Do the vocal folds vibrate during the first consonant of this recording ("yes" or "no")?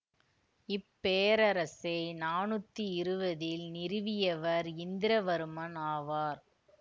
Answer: no